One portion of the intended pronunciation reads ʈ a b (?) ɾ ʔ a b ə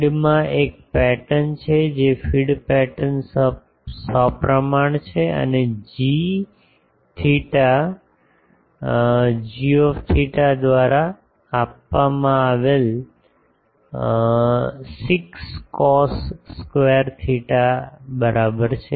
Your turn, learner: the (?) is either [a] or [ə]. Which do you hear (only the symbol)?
ə